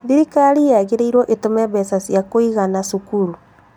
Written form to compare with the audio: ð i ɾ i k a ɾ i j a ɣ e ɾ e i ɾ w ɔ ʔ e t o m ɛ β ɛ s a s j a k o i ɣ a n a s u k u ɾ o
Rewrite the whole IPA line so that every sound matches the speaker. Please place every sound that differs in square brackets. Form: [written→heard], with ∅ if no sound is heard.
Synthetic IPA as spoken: ð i ɾ i k a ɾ i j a ɣ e ɾ e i ɾ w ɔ ʔ e t o m ɛ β ɛ s a s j a k o i ɣ a n a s u k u ɾ [o→u]